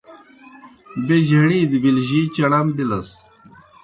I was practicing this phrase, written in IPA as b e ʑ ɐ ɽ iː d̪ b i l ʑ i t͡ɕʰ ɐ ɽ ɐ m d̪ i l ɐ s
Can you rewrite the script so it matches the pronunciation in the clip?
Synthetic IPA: b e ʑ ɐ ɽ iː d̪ b i l ʑ i t͡ɕ ɐ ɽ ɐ m d̪ i l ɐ s